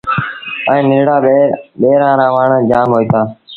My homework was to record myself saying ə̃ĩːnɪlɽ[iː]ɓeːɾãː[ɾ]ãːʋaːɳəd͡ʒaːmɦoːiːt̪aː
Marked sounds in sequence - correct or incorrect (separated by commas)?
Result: incorrect, correct